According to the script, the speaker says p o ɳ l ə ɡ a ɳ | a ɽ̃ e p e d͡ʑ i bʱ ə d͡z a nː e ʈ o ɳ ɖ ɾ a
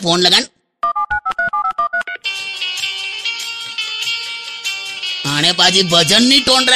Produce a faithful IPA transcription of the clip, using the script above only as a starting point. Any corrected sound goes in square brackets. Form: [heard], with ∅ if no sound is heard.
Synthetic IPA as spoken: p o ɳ l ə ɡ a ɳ | a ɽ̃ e p [a] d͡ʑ i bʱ ə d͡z [ə] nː [i] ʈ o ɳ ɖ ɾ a